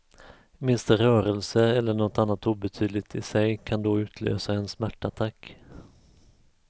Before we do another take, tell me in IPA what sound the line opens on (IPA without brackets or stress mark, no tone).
m